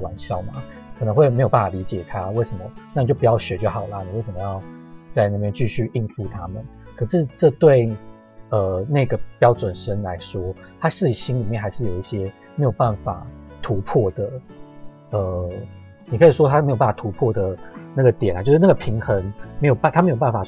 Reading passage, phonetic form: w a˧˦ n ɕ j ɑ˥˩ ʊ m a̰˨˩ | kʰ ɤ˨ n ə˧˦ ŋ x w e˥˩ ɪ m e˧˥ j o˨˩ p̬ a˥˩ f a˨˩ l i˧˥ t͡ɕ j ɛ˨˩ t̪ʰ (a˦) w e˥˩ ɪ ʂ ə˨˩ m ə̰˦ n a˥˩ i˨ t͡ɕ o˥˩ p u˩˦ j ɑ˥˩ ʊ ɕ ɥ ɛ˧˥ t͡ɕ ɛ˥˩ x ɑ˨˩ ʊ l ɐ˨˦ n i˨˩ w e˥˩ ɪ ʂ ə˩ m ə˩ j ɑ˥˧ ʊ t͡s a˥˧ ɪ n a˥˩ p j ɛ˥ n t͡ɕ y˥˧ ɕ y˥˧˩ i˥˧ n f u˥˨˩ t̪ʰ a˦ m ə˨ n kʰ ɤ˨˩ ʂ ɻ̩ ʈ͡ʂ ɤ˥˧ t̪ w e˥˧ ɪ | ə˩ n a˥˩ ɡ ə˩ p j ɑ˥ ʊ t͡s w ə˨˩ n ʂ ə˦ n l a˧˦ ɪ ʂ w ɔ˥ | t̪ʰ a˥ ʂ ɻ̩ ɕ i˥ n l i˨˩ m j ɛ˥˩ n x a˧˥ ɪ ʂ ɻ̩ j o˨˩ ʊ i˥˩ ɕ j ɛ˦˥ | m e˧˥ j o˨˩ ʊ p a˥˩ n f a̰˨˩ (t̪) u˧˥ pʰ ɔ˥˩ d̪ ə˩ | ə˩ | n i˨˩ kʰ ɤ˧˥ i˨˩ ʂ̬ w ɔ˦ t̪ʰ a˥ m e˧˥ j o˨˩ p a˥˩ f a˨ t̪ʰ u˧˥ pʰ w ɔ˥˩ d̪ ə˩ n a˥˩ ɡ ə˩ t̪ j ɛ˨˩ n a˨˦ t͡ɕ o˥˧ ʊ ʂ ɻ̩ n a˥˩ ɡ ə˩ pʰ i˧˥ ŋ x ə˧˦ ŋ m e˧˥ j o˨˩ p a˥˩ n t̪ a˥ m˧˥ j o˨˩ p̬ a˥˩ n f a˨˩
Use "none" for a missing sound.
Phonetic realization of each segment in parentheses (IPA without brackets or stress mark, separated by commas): a˦, t̪ʰ